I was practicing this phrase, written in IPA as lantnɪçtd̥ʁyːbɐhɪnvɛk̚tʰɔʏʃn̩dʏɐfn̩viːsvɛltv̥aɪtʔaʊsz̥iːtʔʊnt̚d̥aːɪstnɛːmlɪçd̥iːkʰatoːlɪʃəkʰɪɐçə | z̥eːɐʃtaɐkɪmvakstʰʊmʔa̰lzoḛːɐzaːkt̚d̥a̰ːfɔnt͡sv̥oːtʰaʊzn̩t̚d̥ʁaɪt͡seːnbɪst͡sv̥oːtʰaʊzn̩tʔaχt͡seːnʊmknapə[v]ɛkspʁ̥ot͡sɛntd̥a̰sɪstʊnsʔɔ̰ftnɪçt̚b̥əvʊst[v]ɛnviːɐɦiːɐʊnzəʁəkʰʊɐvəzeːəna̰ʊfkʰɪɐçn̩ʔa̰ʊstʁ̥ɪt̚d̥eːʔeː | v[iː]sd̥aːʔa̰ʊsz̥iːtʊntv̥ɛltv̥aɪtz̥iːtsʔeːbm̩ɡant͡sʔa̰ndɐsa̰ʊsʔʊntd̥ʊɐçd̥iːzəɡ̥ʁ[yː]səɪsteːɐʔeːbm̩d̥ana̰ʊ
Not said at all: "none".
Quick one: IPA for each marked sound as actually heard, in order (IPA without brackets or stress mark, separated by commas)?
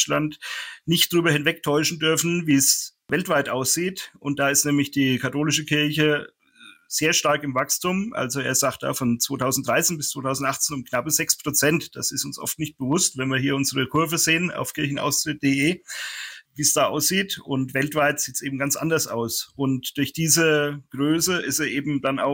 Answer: z, v, iː, øː